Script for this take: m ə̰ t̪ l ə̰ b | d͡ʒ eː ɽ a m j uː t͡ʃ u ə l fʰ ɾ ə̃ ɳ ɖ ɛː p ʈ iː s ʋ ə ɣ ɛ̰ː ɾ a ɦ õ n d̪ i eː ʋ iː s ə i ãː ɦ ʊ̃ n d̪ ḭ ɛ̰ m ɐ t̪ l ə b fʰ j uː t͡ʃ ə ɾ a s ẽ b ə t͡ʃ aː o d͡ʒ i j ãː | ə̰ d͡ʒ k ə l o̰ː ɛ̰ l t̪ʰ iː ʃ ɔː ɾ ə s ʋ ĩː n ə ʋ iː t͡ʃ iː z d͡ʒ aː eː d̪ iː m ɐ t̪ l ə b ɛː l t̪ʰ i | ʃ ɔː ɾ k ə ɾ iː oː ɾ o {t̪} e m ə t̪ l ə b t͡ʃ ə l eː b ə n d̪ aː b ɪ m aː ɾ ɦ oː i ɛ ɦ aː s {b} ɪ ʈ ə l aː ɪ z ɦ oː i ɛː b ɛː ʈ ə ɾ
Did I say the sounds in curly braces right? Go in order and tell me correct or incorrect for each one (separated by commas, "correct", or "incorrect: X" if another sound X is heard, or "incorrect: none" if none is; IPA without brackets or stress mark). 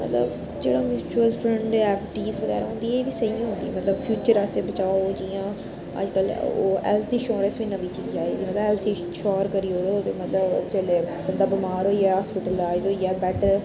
correct, incorrect: p